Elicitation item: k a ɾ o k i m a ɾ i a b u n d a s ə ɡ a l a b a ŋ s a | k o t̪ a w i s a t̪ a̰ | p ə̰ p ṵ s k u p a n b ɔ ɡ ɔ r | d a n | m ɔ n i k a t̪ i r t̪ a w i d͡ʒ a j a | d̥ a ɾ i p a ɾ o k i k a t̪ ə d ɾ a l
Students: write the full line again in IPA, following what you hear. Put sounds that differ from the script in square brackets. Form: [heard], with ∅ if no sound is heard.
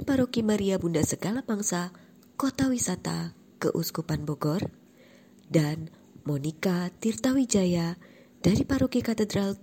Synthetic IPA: [p] a ɾ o k i m a ɾ i a b u n d a s ə ɡ a l a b a ŋ s a | k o t̪ a w i s a t̪ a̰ | [k] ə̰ [ʔ] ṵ s k u p a n b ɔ ɡ ɔ r | d a n | m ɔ n i k a t̪ i r t̪ a w i d͡ʒ a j a | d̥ a ɾ i p a ɾ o k i k a t̪ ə d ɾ a l